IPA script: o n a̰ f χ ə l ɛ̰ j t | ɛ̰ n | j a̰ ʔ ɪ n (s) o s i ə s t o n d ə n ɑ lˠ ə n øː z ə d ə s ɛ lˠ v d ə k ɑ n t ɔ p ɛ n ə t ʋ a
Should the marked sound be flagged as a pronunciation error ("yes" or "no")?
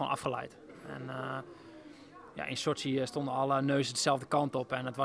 no